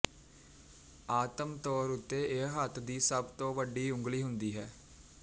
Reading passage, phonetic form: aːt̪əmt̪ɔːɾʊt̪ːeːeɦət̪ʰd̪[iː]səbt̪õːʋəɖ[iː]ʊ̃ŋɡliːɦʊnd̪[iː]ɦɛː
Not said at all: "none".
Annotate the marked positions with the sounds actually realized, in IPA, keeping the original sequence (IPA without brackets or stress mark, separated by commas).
iː, iː, iː